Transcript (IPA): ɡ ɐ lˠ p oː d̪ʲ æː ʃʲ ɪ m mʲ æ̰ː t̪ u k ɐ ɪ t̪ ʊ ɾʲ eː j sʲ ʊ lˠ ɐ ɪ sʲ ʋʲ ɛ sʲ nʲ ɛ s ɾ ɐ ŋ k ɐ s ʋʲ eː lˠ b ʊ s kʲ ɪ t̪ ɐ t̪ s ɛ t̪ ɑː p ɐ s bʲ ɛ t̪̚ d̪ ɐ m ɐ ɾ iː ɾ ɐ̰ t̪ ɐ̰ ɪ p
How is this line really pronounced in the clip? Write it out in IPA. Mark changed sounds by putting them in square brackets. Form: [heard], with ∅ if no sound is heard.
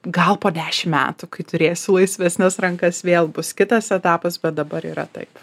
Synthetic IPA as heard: ɡ ɐ lˠ p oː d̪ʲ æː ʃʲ ɪ m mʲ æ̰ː t̪ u k ɐ ɪ t̪ ʊ ɾʲ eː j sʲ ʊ lˠ ɐ ɪ sʲ ʋʲ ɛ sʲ nʲ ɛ s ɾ ɐ ŋ k ɐ s ʋʲ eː lˠ b ʊ s kʲ ɪ t̪ ɐ [∅] s ɛ t̪ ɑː p ɐ s bʲ ɛ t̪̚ d̪ ɐ [b] ɐ ɾ iː ɾ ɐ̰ t̪ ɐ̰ ɪ p